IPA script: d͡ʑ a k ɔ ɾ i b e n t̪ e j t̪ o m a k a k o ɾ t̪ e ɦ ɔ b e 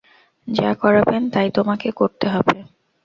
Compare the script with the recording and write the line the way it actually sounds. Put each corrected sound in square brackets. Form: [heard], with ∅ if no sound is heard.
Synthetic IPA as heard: d͡ʑ a k ɔ ɾ [a] b e n t̪ [a] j t̪ o m a k [e] k o ɾ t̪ e ɦ ɔ b e

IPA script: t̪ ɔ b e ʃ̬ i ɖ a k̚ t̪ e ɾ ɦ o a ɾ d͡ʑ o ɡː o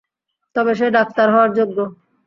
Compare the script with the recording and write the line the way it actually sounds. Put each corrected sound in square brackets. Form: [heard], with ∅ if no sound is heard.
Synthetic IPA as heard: t̪ ɔ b e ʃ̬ [e] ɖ a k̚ t̪ [a] ɾ ɦ [ɔ] a ɾ d͡ʑ o ɡː o

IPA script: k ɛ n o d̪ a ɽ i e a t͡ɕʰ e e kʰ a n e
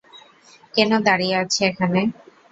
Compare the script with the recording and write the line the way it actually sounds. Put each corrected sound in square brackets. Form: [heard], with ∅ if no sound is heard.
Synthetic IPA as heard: k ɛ n o d̪ a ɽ i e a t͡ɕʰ e e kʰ a n e

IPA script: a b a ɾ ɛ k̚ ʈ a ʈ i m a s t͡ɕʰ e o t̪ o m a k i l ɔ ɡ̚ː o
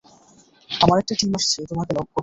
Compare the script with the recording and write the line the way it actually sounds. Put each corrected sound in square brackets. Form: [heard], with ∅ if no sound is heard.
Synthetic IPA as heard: a [m] a ɾ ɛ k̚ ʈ a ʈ i m a [ʃ] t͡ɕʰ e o t̪ o m a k [e] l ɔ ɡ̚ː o

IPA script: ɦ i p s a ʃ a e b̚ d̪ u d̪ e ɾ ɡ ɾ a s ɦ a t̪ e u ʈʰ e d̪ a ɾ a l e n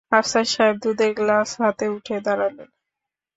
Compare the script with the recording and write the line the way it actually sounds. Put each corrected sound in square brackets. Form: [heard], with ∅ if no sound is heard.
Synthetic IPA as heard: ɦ [a] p s a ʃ a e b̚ d̪ u d̪ e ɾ ɡ [l] a s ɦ a t̪ e u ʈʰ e d̪ a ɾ a l e n

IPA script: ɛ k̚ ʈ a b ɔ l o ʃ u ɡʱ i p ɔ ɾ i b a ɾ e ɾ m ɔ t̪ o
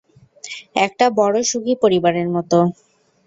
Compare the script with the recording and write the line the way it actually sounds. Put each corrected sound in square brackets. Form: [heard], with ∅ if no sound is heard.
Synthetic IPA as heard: ɛ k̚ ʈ a b ɔ [ɽ] o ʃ u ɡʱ i p [o] ɾ i b a ɾ e ɾ m ɔ t̪ o

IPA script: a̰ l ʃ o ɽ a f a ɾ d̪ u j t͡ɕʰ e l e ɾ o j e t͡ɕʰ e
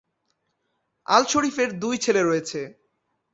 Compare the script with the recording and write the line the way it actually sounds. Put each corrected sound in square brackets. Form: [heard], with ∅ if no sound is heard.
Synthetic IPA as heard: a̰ l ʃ o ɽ [i] f [e] ɾ d̪ u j t͡ɕʰ e l e ɾ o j e t͡ɕʰ e

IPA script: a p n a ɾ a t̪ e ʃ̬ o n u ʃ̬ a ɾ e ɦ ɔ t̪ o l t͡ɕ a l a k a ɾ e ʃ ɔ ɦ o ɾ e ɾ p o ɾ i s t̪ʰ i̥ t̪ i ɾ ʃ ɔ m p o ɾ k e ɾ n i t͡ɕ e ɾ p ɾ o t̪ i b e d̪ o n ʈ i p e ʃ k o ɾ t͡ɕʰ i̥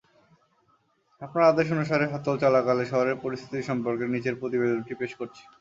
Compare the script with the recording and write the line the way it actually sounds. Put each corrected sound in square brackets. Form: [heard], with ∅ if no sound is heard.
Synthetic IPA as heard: a p n a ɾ a [d̪] e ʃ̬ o n u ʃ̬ a ɾ e ɦ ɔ t̪ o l t͡ɕ a l a k a [l] e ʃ ɔ ɦ o ɾ e ɾ p o ɾ i s t̪ʰ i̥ t̪ i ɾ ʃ ɔ m p o ɾ k e ɾ n i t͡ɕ e ɾ p ɾ o t̪ i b e d̪ o n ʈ i p e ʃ k o ɾ t͡ɕʰ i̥

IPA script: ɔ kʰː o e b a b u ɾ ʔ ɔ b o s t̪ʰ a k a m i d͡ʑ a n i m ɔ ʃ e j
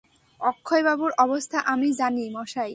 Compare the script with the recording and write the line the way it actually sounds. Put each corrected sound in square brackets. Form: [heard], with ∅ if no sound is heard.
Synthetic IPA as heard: ɔ kʰː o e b a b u ɾ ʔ ɔ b o s t̪ʰ a [ʔ] a m i d͡ʑ a n i m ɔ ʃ [a] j

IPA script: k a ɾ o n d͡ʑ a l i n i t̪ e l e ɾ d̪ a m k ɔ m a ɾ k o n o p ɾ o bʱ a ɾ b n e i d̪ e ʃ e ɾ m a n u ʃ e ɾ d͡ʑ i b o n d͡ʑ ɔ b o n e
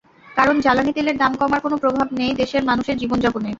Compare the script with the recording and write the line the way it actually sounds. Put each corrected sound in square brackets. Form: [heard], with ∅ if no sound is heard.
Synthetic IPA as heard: k a ɾ o n d͡ʑ a l [a] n i t̪ e l e ɾ d̪ a m k ɔ m a ɾ k o n o p ɾ o bʱ a [∅] b n e [j] d̪ e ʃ e ɾ m a n u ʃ e ɾ d͡ʑ i b o n d͡ʑ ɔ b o n e

